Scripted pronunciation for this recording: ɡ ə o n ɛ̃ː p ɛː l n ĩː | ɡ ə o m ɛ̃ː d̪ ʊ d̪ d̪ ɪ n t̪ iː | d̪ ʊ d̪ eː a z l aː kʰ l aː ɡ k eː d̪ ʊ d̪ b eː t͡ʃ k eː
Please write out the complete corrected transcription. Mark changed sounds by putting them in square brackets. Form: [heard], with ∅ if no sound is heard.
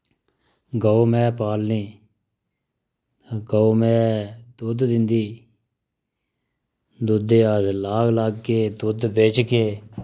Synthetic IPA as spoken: ɡ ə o [m] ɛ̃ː p [aː] l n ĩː | ɡ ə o m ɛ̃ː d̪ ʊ d̪ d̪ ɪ n [d̪] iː | d̪ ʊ d̪ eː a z l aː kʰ l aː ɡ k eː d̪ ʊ d̪ b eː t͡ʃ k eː